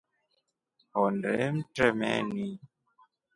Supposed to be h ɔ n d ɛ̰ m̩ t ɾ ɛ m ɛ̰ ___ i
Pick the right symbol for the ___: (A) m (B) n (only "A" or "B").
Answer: B